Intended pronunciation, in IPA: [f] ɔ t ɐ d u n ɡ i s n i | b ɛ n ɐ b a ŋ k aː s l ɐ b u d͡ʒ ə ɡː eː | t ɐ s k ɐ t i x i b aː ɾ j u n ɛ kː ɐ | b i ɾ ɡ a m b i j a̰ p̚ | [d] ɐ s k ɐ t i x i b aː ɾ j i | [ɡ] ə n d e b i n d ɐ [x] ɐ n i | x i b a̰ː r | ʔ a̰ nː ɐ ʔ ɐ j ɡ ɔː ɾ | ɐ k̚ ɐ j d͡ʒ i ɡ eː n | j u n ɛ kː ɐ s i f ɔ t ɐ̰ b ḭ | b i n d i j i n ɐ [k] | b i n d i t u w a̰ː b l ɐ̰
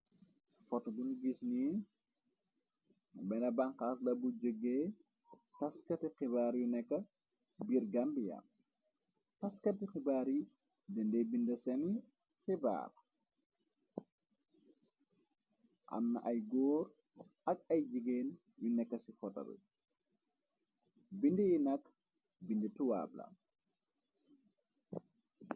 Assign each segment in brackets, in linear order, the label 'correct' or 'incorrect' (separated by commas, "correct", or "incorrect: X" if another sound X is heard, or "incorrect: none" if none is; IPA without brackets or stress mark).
correct, incorrect: t, incorrect: d, incorrect: s, correct